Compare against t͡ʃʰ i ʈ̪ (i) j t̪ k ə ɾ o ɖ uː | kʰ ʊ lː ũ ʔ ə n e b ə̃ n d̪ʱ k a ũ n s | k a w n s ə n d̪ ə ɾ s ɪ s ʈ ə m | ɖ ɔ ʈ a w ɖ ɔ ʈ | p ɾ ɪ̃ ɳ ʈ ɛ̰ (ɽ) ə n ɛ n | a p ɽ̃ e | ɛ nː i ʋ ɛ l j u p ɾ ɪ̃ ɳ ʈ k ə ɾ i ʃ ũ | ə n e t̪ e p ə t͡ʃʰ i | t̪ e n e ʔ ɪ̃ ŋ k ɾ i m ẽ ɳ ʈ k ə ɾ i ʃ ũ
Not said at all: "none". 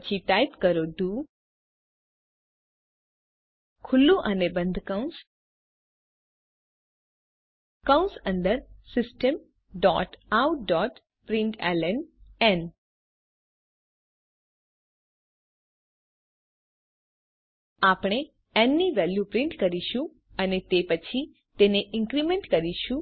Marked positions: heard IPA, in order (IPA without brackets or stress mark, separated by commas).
a, l